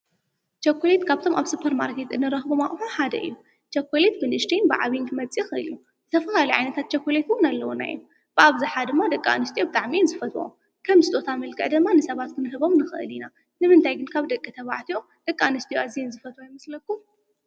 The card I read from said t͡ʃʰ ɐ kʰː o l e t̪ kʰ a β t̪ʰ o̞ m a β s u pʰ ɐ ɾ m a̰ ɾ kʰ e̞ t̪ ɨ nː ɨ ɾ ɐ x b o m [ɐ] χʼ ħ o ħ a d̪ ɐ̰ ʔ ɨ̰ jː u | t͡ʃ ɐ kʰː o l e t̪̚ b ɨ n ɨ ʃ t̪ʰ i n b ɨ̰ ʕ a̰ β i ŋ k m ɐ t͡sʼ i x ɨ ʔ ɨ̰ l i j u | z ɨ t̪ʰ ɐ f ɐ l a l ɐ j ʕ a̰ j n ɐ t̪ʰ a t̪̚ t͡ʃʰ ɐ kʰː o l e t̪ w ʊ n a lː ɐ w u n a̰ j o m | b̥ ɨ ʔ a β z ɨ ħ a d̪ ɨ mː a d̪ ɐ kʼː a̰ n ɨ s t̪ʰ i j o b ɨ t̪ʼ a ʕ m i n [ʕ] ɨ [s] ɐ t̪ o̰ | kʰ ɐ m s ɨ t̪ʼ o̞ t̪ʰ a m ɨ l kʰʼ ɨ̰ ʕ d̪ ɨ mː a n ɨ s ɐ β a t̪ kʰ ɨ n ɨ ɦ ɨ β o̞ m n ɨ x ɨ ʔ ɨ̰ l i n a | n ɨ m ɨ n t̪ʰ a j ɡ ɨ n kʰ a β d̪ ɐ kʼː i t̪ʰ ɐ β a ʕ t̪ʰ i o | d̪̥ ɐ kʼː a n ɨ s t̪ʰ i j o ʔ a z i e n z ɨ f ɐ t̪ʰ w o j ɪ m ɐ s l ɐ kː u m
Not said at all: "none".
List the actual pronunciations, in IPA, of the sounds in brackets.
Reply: a, z, f

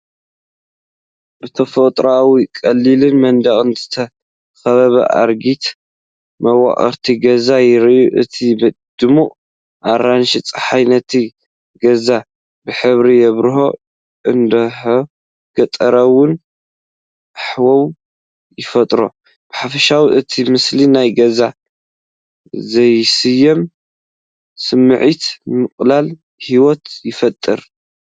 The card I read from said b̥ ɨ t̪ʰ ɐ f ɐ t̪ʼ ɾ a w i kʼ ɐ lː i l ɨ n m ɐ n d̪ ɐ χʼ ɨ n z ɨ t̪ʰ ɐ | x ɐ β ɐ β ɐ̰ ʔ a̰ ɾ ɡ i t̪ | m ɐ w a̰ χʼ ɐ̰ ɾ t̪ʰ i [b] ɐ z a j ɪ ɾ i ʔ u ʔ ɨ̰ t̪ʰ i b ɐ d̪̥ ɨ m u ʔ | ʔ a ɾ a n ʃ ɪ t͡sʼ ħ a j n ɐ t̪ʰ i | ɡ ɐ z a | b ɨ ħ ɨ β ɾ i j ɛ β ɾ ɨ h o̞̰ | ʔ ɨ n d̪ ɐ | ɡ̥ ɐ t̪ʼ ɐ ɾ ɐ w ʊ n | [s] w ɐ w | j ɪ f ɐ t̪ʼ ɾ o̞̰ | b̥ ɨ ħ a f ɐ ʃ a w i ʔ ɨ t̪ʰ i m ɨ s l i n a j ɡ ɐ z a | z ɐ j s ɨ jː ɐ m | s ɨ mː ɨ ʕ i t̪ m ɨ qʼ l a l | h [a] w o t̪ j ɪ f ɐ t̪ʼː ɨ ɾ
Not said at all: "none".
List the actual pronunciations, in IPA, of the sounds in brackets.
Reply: ɡ, ħ, i

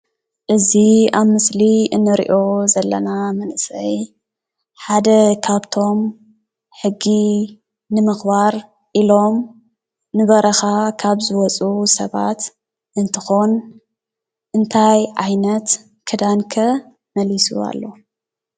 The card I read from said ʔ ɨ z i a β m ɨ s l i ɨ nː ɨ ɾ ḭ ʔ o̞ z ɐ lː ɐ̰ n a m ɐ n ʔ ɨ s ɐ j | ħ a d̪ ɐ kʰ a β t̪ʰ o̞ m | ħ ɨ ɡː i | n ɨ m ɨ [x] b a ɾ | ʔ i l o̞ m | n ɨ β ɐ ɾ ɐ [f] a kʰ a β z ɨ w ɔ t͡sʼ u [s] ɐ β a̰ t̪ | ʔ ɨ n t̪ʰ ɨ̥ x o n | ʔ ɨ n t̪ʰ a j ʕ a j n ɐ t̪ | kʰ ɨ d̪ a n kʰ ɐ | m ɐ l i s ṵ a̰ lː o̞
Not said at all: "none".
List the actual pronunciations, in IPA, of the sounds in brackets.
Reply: x, x, s

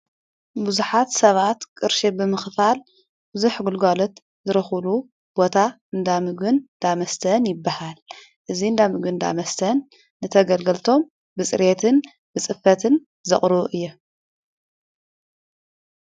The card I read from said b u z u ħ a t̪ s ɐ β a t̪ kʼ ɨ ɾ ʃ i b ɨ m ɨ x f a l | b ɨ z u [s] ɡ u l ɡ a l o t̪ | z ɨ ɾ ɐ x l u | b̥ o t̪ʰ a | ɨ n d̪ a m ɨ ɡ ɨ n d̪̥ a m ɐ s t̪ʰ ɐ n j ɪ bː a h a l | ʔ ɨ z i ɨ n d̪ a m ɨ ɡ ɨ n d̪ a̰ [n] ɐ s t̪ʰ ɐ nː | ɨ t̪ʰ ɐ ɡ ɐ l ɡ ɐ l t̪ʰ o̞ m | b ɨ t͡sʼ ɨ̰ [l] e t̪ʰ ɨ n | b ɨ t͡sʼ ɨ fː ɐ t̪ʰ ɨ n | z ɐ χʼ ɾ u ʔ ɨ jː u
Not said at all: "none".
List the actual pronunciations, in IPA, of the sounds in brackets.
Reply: ħ, m, ɾ

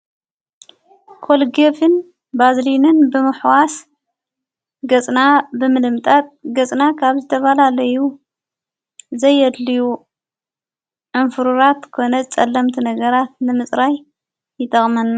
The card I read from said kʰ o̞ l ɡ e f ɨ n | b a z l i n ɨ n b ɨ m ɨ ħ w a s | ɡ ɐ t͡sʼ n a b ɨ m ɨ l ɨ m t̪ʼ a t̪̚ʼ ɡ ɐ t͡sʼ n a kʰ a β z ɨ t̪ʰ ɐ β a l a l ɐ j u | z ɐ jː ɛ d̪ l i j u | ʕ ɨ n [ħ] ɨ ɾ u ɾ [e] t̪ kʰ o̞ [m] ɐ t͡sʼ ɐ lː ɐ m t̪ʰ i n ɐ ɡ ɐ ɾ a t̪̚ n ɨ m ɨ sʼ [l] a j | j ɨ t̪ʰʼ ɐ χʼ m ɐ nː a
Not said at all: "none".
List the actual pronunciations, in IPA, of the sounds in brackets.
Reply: f, a, n, ɾ

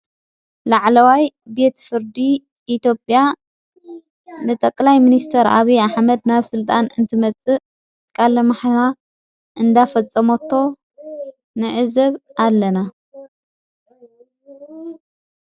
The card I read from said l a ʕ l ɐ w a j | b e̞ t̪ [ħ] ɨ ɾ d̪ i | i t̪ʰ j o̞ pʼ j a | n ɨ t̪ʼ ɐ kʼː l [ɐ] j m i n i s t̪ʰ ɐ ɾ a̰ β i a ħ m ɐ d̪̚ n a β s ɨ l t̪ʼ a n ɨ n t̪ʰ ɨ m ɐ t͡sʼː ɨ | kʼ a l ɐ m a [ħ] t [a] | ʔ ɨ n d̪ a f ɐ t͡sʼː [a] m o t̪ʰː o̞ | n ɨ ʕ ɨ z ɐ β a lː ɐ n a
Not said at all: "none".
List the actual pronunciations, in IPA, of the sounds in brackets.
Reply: f, a, ħ, a, ɐ

